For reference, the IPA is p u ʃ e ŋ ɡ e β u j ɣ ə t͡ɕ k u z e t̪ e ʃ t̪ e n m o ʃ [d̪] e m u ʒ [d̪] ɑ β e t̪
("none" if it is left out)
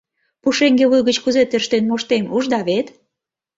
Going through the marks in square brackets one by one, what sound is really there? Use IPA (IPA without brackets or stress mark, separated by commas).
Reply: t̪, d̪